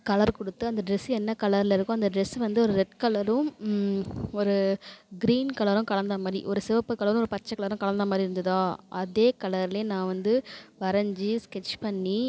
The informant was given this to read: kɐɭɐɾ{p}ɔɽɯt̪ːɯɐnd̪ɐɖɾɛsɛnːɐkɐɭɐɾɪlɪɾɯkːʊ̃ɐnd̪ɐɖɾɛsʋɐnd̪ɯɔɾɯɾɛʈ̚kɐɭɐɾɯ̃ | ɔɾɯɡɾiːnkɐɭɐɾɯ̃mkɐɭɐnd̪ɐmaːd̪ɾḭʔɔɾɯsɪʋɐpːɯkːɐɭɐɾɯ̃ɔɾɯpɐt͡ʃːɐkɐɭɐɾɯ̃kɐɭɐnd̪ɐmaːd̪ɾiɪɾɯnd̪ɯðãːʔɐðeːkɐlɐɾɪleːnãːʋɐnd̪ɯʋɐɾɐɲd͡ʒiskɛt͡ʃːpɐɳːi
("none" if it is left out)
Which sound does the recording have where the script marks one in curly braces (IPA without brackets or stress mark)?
k